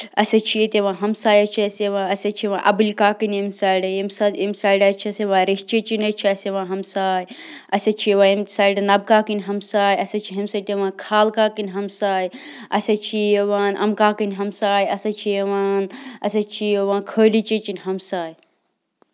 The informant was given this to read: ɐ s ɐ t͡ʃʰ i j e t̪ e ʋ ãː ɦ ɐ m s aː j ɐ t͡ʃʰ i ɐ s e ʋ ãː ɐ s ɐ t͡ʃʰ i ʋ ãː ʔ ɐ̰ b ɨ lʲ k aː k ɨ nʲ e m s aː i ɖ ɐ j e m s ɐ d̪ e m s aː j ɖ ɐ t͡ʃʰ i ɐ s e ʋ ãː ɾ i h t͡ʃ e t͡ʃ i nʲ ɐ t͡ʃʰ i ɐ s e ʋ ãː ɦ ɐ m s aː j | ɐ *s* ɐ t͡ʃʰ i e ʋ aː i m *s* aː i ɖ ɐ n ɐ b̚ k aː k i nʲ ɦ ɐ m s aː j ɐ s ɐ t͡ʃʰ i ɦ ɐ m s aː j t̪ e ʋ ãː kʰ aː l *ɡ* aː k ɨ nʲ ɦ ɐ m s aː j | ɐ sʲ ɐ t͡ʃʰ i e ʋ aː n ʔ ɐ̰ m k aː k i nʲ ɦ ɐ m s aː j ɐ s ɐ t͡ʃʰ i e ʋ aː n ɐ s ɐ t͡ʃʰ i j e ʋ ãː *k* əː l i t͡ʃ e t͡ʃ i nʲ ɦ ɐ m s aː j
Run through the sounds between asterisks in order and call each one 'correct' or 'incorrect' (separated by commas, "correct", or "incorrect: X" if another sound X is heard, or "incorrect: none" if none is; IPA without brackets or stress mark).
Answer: correct, correct, incorrect: k, incorrect: kʰ